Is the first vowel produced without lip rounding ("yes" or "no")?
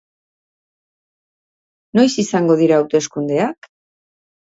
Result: no